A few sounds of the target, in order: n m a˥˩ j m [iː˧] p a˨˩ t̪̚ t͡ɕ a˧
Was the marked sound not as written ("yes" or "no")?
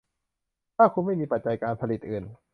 no